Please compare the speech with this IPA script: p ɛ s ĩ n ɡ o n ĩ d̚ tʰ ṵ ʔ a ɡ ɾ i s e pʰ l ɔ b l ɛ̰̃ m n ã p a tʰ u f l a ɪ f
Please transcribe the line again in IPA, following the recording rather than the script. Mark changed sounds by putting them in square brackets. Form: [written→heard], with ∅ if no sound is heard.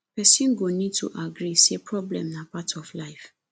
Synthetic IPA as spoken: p ɛ s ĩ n ɡ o n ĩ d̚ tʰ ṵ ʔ a ɡ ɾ i s e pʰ [l→ɹ] ɔ b l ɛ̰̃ m n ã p a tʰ [u→ɔ] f l a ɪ f